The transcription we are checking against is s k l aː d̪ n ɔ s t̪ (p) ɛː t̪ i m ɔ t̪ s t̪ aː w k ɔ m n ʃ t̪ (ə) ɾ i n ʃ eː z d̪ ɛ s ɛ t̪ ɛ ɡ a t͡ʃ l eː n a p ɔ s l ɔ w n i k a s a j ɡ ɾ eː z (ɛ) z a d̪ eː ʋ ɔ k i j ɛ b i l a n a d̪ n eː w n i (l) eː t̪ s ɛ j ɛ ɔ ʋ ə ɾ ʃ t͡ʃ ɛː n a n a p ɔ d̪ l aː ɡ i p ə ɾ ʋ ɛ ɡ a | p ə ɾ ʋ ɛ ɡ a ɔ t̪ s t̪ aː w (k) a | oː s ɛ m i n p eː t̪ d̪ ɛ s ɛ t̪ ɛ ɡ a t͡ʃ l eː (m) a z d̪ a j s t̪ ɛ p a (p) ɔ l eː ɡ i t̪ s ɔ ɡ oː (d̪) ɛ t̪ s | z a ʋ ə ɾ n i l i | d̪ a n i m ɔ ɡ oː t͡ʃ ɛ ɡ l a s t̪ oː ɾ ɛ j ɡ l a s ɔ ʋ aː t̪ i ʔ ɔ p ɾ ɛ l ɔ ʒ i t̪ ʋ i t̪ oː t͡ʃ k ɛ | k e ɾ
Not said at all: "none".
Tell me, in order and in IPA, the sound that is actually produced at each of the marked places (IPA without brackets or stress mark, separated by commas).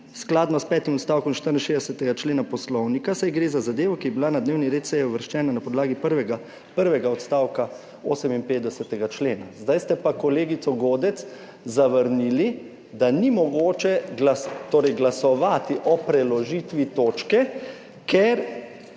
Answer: p, ə, a, ɾ, k, n, k, d̪